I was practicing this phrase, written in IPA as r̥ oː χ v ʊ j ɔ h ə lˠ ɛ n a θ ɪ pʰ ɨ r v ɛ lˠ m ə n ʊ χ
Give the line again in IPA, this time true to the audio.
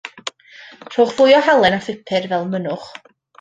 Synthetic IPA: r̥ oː χ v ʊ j ɔ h a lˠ ɛ n a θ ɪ pʰ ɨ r v ɛ lˠ m ə n ʊ χ